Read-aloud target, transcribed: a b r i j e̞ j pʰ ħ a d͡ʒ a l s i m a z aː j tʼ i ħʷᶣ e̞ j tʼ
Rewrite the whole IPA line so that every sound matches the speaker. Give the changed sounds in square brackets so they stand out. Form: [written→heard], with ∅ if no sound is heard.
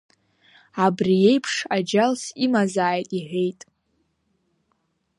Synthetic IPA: a b r i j e̞ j pʰ [ħ→ʂ] a d͡ʒ a l s i m a z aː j tʼ i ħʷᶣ e̞ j tʼ

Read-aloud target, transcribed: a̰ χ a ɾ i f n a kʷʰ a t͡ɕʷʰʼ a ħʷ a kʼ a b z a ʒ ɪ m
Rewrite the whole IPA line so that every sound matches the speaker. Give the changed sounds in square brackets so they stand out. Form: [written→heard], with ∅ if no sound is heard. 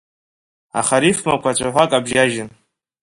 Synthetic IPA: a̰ χ a ɾ i f [n→m] a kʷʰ a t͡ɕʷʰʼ a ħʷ a kʼ a b [z→ʒ] a ʒ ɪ [m→n]

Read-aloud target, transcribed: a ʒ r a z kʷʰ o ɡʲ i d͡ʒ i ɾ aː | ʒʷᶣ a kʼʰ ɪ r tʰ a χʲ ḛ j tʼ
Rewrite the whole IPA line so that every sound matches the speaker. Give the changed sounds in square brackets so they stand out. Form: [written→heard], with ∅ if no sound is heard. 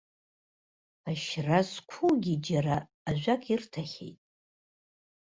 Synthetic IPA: a [ʒ→ʃ] r a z kʷʰ [o→u] ɡʲ i d͡ʒ [i→a] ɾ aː | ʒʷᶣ a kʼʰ [ɪ→i] r tʰ a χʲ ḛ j tʼ

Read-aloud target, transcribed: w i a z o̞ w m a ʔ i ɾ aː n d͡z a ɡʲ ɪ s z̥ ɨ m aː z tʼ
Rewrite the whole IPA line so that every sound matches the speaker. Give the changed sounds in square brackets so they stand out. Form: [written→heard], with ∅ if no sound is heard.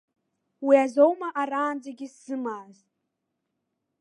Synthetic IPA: w i a z o̞ w m a ʔ [i→a] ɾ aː n d͡z a ɡʲ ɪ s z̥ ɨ m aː z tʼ

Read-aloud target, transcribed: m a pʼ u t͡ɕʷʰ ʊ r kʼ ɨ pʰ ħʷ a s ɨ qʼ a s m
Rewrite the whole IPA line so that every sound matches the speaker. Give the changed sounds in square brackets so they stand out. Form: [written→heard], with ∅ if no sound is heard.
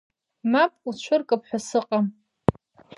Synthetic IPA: m a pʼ u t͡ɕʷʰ ʊ r kʼ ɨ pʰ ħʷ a s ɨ qʼ a [s→∅] m

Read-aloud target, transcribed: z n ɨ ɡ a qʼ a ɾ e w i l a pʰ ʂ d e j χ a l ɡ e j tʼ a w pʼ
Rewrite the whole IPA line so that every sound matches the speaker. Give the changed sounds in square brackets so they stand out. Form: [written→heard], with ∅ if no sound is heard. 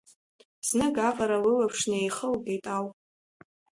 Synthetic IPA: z n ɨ ɡ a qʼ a ɾ [e→a] w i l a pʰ ʂ [d→n] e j χ [a→ə] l ɡ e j tʼ a w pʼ

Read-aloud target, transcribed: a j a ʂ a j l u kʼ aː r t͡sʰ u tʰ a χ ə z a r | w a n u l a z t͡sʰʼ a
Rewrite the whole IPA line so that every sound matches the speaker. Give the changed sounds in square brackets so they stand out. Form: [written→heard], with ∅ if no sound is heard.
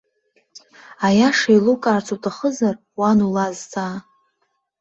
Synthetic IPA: a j a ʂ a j l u kʼ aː r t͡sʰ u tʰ a χ ə z a r | w a n u l a z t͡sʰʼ a

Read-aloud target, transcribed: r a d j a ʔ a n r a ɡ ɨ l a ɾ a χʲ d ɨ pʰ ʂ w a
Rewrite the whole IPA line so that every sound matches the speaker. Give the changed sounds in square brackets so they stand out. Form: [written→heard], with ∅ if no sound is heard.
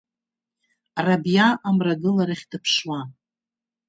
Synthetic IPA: r a [d→b] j a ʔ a [n→m] r a ɡ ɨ l a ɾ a χʲ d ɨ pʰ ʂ w a

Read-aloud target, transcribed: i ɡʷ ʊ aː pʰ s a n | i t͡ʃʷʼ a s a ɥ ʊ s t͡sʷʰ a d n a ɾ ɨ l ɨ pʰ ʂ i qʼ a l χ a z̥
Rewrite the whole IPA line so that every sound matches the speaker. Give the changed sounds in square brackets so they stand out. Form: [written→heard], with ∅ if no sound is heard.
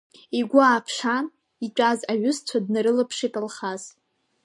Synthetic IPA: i ɡʷ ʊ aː pʰ [s→ʂ] a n | i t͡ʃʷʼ a [s→z] a ɥ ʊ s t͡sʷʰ a d n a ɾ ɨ l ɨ pʰ ʂ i [qʼ→tʼ] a l χ a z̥

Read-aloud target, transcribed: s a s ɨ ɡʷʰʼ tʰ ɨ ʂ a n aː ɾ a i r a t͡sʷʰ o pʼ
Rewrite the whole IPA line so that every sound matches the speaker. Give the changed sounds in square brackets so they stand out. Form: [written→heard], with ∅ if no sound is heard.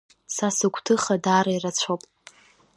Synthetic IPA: s a s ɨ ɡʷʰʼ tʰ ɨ [ʂ→χ] a [n→d] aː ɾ a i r a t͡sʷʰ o pʼ

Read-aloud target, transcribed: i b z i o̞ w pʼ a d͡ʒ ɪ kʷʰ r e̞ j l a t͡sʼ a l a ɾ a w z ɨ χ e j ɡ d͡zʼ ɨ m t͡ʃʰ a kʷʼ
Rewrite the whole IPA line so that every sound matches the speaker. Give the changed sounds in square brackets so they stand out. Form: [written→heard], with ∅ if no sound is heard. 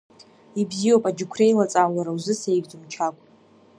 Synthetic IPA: i b z i o̞ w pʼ a d͡ʒ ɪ kʷʰ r e̞ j l a t͡sʼ a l a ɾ a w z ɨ [χ→s] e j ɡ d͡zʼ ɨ m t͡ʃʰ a kʷʼ

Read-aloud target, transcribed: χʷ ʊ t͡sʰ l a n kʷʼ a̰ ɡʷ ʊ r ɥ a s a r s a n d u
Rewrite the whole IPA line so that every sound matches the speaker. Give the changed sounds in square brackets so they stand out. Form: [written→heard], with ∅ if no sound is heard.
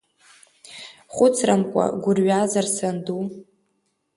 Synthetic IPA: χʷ ʊ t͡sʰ [l→r] a [n→m] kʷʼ a̰ ɡʷ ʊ r ɥ a [s→z] a r s a n d u

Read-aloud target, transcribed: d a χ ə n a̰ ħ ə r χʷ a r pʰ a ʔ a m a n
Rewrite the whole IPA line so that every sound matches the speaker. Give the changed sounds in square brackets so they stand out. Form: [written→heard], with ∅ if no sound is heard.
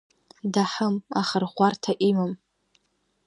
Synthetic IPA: d a [χ→ħ] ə [n→m] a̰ [ħ→χ] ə r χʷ a r [pʰ→tʰ] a ʔ [a→i] m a [n→m]

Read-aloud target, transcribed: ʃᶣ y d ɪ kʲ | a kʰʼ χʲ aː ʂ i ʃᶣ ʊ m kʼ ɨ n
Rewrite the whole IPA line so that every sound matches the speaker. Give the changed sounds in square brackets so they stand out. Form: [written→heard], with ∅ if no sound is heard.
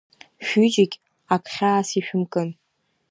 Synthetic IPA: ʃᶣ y [d→d͡ʒ] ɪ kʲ | a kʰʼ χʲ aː [ʂ→s] i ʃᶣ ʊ m kʼ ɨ n

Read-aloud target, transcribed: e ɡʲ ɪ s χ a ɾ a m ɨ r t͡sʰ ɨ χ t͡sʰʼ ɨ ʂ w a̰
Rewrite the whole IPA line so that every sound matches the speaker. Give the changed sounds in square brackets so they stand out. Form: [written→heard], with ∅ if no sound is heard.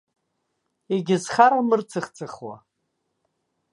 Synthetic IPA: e ɡʲ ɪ [s→z] χ a ɾ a m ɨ r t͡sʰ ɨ χ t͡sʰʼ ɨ [ʂ→χ] w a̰

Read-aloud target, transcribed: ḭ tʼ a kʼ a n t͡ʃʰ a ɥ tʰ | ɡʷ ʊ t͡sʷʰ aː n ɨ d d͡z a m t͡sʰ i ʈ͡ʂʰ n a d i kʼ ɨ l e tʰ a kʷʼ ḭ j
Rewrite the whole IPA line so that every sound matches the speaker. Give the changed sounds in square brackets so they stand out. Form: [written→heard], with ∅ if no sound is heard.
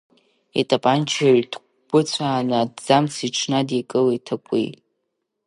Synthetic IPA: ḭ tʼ a [kʼ→pʼ] a n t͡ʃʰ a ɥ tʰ | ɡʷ ʊ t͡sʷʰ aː n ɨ d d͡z a m t͡sʰ i ʈ͡ʂʰ n a d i kʼ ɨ l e tʰ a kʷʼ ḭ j

